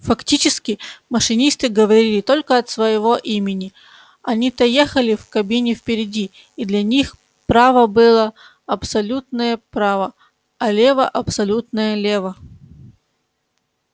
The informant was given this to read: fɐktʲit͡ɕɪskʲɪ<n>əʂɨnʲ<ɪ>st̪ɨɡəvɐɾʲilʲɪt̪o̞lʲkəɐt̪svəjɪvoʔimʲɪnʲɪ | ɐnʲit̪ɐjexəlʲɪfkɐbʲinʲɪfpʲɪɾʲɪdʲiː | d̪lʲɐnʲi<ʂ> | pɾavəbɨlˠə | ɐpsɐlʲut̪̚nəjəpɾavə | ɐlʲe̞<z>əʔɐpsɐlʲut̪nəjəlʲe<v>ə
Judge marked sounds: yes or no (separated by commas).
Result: no, no, no, no, yes